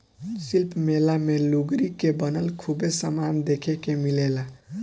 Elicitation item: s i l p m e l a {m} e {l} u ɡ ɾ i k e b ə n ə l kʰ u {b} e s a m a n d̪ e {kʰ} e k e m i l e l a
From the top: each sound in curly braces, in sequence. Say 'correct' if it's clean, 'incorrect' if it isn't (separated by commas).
correct, correct, correct, correct